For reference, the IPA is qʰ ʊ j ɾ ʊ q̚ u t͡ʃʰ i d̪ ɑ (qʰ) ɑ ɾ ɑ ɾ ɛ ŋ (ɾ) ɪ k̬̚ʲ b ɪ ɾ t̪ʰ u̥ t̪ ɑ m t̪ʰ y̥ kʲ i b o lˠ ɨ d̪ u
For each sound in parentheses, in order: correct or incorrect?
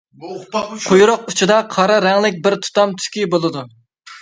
correct, incorrect: l

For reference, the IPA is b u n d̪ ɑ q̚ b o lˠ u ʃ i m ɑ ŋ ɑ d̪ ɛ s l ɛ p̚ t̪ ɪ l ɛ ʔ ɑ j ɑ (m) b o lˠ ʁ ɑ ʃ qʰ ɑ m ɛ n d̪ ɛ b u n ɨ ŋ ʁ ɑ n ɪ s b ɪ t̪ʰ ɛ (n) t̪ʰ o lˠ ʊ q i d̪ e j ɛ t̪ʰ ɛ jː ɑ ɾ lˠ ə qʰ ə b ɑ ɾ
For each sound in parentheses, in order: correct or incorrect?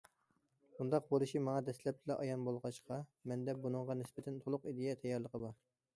incorrect: n, correct

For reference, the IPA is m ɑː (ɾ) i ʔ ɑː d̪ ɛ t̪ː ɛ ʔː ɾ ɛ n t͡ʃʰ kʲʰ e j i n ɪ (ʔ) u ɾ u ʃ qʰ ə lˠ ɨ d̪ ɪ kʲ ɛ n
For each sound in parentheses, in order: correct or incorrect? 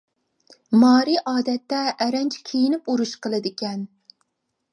correct, incorrect: p

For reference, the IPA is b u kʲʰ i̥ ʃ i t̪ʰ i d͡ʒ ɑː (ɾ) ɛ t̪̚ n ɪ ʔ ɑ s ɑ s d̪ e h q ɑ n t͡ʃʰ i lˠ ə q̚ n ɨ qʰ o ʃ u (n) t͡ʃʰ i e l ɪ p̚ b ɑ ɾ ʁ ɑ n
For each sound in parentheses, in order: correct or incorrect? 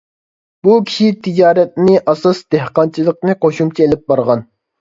correct, incorrect: m

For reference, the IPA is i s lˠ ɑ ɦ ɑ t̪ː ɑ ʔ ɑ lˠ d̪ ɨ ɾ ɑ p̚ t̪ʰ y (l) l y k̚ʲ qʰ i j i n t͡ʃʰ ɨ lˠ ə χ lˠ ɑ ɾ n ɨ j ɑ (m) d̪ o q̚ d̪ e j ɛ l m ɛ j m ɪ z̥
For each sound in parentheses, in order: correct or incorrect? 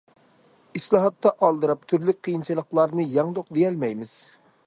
incorrect: ɾ, incorrect: ŋ

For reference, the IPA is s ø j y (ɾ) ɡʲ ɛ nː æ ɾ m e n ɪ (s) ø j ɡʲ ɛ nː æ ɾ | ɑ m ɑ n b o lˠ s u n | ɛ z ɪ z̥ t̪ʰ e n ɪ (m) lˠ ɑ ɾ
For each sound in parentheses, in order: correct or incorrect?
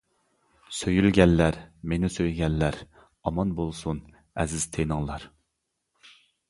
incorrect: l, correct, incorrect: ŋ

